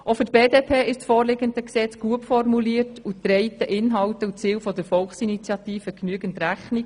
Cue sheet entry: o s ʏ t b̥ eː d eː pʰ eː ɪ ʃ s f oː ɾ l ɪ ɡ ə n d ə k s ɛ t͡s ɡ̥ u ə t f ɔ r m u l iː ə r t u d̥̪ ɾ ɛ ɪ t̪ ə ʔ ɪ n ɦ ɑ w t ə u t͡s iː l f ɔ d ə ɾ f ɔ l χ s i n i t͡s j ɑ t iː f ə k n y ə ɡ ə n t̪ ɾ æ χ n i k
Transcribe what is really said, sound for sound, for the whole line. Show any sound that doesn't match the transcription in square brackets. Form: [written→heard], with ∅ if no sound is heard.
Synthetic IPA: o [s→f] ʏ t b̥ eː d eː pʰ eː ɪ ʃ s f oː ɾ l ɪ ɡ ə n d ə k s ɛ t͡s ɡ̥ u ə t f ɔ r m u l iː ə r t u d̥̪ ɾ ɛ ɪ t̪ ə ʔ ɪ n ɦ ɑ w t ə u t͡s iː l f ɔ d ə ɾ f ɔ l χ s i n i t͡s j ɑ t iː f ə k n y ə ɡ ə n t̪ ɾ æ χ n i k